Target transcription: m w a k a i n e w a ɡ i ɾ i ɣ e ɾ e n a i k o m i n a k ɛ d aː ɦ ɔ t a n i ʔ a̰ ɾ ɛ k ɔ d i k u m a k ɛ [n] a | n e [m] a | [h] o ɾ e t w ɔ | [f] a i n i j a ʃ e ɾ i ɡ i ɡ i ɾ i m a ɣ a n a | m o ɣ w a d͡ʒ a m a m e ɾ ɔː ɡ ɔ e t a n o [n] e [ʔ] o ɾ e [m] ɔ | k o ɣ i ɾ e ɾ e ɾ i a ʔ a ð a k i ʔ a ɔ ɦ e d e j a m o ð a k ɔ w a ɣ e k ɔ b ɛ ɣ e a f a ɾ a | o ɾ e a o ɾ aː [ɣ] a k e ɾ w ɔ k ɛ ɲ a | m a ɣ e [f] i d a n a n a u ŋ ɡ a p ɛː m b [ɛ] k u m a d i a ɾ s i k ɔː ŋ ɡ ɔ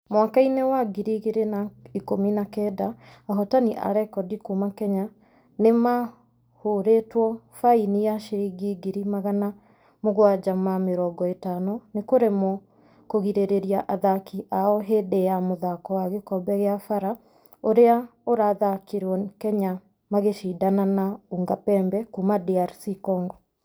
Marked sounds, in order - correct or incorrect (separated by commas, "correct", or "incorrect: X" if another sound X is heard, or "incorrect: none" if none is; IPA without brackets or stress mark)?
incorrect: ɲ, correct, correct, correct, correct, incorrect: k, correct, incorrect: ð, incorrect: ʃ, correct